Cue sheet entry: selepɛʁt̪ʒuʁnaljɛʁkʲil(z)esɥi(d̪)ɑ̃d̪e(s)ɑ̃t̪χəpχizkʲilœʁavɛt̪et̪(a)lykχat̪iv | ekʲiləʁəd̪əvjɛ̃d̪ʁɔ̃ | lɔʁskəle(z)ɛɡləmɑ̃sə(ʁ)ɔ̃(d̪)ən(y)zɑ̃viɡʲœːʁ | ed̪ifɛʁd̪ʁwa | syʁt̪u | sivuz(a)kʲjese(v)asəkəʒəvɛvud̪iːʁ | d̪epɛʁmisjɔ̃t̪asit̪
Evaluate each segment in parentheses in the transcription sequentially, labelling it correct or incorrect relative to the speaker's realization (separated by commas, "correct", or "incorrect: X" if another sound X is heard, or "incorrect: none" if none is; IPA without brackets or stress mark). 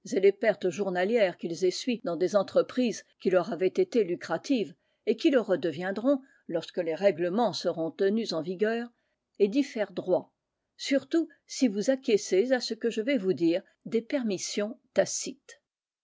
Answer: correct, correct, incorrect: z, incorrect: e, incorrect: ʁ, correct, incorrect: t̪, correct, correct, incorrect: z